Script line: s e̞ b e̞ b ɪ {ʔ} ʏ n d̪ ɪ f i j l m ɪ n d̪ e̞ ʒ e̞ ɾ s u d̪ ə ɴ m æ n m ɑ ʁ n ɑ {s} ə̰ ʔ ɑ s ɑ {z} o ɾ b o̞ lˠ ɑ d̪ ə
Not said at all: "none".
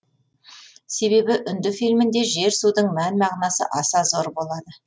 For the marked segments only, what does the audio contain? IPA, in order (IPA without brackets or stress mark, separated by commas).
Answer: ʔ, s, z